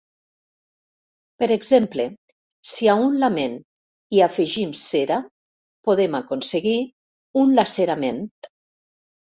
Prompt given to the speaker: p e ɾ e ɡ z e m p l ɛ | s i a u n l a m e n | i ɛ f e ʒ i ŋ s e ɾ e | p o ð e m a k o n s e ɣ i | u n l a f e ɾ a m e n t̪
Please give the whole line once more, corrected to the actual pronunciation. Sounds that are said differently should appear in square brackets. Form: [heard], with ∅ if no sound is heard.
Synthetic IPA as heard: p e ɾ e ɡ z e m p l [e] | s i a u n l a m e n | i [a] f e ʒ i [m] s e ɾ [a] | p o ð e m a k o n s e ɣ i | u n l a [s] e ɾ a m e n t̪